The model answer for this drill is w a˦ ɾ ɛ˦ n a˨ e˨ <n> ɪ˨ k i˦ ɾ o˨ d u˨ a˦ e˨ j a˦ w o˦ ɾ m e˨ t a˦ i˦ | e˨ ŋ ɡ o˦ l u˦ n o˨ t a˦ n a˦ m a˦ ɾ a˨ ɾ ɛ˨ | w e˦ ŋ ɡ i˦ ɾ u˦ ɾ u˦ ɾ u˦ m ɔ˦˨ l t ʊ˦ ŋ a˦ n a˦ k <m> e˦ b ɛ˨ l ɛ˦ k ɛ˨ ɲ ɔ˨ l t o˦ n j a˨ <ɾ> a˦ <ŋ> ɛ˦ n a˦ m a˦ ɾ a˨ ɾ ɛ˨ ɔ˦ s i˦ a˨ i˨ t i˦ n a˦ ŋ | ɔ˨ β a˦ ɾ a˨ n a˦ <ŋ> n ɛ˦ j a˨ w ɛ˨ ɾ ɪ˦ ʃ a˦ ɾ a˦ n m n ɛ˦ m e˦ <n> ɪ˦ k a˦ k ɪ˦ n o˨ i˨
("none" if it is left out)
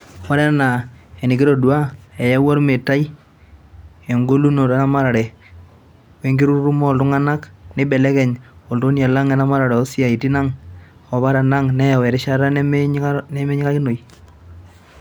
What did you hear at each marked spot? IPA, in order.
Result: n, n, l, ŋ, ŋ, ɲ

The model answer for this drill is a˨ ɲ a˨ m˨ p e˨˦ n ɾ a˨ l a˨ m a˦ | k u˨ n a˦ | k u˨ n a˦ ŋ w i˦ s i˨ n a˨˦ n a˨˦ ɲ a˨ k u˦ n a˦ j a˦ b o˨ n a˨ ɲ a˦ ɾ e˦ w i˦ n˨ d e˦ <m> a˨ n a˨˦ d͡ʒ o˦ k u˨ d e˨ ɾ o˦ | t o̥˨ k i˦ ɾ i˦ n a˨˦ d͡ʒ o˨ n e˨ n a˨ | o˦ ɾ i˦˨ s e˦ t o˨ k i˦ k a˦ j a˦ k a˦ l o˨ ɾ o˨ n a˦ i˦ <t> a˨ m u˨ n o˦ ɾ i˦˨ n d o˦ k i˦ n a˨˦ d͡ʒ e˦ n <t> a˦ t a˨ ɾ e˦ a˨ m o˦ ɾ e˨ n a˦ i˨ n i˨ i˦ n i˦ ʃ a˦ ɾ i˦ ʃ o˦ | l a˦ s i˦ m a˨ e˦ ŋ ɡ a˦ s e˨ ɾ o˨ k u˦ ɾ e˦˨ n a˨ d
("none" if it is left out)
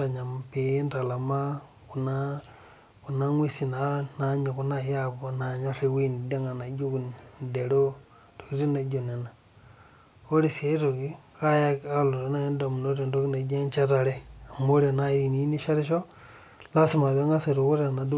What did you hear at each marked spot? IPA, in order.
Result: ŋ, d, t͡ʃ

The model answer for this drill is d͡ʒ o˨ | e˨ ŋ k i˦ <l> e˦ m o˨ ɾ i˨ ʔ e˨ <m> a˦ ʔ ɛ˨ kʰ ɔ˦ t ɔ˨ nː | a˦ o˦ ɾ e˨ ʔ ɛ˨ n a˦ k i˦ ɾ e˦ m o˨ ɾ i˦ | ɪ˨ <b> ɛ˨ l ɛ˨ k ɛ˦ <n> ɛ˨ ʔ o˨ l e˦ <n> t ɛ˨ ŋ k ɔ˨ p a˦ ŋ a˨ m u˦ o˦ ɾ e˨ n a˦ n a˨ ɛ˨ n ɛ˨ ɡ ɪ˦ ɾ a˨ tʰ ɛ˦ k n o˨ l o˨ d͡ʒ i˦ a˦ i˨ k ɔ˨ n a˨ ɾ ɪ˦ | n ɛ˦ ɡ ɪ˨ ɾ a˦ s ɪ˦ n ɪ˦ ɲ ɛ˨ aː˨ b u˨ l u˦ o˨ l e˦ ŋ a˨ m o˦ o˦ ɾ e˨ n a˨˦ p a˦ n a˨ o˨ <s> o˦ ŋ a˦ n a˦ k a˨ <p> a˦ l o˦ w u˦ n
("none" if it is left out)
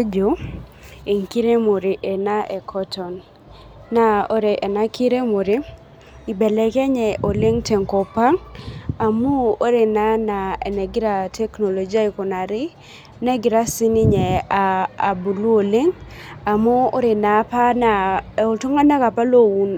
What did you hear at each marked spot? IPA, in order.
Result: ɾ, n, b, ɲ, ŋ, t, p

